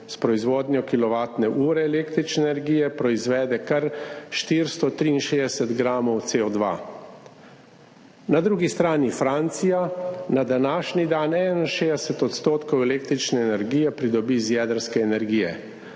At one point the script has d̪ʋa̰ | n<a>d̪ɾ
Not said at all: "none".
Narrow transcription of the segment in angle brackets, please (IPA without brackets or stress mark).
a